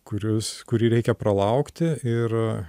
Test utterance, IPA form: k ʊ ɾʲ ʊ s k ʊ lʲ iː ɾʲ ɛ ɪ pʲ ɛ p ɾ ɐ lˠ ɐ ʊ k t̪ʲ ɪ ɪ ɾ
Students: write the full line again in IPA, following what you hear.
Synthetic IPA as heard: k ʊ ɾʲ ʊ s k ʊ ɾʲ iː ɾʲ ɛ ɪ kʲ ɛ p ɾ ɐ lˠ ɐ ʊ k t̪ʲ ɪ ɪ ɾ